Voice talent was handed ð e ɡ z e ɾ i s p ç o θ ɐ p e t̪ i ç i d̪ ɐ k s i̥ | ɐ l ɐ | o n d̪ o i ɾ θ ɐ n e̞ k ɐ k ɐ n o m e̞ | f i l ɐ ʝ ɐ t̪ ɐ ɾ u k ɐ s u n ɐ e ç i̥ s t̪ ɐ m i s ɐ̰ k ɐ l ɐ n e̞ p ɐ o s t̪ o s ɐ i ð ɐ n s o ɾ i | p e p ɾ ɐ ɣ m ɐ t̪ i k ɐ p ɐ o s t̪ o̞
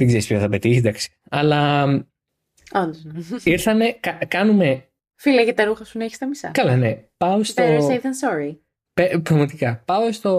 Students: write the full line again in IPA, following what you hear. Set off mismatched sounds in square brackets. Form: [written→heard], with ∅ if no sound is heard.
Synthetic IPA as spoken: ð e ɡ z e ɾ i s p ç o θ ɐ p e t̪ i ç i d̪ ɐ k s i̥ | ɐ l ɐ | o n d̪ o i ɾ θ ɐ n e̞ k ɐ k ɐ n [o→u] m e̞ | f i l ɐ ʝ ɐ t̪ ɐ ɾ u [k→x] ɐ s u n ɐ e ç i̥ s t̪ ɐ m i s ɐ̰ k ɐ l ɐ n e̞ p ɐ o s t̪ o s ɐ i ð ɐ n s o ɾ i | p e p ɾ ɐ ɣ m ɐ t̪ i k ɐ p ɐ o s t̪ o̞